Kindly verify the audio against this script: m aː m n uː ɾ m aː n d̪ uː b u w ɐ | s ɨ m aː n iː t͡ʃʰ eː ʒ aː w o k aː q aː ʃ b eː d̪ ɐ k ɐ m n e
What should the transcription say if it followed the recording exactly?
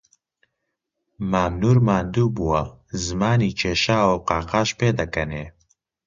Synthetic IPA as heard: m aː m n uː ɾ m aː n d̪ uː b u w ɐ | z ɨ m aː n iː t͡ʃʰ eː ʃ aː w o q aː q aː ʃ p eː d̪ ɐ k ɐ n e